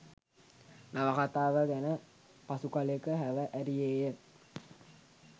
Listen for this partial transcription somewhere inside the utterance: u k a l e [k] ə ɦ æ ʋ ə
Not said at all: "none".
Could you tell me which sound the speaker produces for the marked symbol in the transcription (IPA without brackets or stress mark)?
k